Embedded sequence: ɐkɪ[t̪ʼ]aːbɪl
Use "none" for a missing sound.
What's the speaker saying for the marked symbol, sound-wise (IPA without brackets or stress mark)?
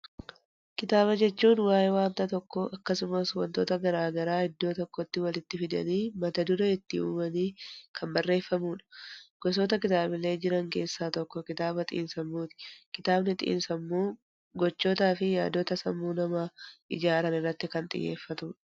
t̪